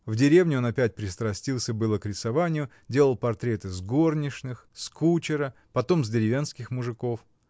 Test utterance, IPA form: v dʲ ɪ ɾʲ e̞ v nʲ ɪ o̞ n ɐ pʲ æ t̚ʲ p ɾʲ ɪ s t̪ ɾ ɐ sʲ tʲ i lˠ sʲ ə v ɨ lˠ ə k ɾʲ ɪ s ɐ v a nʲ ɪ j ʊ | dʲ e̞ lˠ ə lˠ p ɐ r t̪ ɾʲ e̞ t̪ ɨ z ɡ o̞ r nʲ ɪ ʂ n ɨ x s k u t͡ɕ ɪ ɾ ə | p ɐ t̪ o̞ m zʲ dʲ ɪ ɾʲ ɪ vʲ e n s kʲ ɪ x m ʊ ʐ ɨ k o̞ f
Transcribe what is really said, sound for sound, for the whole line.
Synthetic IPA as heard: v dʲ ɪ ɾʲ e̞ v nʲ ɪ o̞ n ɐ pʲ æ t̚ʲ p ɾʲ ɪ s t̪ ɾ ɐ sʲ tʲ i lˠ sʲ ə b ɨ lˠ ə k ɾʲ ɪ s ɐ v a nʲ ɪ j ʊ | dʲ e̞ lˠ ə lˠ p ɐ r t̪ ɾʲ e̞ t̪ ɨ z ɡ o̞ r nʲ ɪ ʂ n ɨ x s k u t͡ɕ ɪ ɾ ə | p ɐ t̪ o̞ m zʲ dʲ ɪ ɾʲ ɪ vʲ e n s kʲ ɪ x m ʊ ʐ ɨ k o̞ f